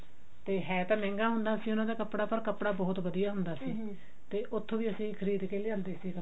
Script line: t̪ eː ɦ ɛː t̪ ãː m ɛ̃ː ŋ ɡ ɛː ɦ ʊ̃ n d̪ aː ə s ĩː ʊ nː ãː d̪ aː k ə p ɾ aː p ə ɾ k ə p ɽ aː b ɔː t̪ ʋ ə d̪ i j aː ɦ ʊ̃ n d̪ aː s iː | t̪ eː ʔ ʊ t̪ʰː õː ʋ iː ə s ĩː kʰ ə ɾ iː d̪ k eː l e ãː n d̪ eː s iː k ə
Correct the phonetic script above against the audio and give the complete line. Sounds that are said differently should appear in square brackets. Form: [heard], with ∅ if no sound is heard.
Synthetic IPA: t̪ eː ɦ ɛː t̪ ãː m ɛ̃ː ŋ ɡ [aː] ɦ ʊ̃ n d̪ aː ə s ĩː ʊ [n] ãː d̪ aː k ə p [ɽ] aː p ə ɾ k ə p ɽ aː b ɔː t̪ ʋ ə d̪ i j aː ɦ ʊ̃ n d̪ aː s iː | t̪ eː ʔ ʊ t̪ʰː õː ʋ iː ə s ĩː kʰ ə ɾ iː d̪ k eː l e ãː n d̪ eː s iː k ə